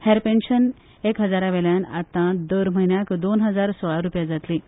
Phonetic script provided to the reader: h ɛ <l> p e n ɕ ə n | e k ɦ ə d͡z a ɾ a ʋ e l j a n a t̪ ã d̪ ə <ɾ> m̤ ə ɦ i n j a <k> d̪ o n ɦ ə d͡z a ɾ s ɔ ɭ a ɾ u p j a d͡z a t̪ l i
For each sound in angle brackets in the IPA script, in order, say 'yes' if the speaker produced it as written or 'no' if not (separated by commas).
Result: no, yes, yes